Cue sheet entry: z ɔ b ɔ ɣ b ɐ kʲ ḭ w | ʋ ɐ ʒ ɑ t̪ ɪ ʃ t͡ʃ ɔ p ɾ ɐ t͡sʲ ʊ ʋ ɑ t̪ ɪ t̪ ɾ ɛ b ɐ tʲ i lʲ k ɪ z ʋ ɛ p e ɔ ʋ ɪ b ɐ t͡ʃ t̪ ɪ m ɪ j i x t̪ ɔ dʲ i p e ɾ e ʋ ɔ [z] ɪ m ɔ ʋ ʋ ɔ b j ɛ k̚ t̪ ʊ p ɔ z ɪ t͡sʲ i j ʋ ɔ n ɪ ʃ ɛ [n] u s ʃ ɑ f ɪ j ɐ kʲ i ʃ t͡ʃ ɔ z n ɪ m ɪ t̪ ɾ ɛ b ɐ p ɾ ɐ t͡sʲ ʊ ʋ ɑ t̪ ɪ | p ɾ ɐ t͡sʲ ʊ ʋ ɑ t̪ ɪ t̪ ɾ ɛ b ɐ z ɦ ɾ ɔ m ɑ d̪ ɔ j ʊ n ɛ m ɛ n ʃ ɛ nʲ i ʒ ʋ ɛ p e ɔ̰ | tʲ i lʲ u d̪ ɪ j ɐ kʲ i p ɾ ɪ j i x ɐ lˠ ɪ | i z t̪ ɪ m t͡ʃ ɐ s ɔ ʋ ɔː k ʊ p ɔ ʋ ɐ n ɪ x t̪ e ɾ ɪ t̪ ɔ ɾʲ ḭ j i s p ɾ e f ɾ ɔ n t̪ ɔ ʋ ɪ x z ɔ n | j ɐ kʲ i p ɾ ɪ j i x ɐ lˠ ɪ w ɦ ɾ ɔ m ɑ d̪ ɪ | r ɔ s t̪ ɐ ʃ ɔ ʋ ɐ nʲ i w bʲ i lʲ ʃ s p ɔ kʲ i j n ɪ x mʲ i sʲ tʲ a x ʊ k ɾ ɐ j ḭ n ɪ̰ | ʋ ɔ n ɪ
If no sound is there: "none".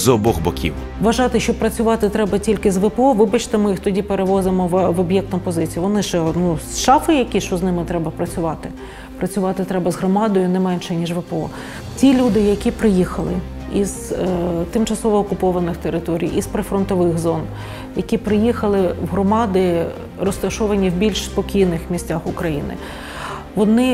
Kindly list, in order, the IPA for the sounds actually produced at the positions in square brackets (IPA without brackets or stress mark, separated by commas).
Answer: z, n